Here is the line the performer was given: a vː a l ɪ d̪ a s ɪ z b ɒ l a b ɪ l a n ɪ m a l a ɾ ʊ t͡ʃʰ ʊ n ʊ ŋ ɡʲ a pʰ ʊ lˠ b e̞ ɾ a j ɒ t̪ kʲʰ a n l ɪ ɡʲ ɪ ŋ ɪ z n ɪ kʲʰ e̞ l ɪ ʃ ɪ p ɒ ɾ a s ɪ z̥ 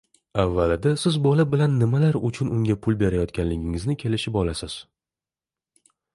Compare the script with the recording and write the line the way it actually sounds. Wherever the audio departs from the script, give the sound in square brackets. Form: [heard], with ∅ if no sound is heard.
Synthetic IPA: a vː a l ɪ d̪ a s ɪ z b ɒ l a b ɪ l a [nː] ɪ m a l a ɾ ʊ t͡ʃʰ ʊ n ʊ ŋ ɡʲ a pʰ ʊ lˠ b e̞ ɾ a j ɒ t̪ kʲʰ a n l ɪ ɡʲ ɪ ŋ ɪ z n ɪ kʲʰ e̞ l ɪ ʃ ɪ p ɒ [l] a s ɪ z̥